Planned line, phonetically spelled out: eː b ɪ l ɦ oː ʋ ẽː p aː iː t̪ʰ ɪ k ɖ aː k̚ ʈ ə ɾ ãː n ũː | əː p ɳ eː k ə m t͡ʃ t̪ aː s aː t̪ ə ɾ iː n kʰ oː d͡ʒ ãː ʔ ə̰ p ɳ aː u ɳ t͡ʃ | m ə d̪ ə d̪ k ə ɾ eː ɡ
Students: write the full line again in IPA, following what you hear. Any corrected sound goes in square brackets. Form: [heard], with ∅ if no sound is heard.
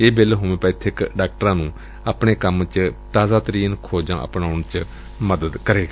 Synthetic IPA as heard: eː b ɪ l ɦ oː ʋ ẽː p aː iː t̪ʰ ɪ k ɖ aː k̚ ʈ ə ɾ ãː n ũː | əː p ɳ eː k ə m t͡ʃ t̪ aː [z] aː t̪ ə ɾ iː n kʰ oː d͡ʒ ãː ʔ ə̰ p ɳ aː [ʊ] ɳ t͡ʃ | m ə d̪ ə d̪ k ə ɾ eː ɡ